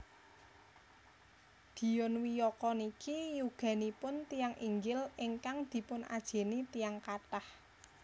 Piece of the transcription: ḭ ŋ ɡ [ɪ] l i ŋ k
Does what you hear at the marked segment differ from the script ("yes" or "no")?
no